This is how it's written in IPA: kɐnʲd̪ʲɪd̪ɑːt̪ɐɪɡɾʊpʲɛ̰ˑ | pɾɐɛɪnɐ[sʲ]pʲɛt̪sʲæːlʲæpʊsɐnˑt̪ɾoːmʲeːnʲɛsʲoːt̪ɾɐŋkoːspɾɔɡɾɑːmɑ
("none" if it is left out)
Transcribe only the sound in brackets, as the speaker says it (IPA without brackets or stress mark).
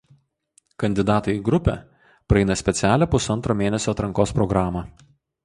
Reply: sʲ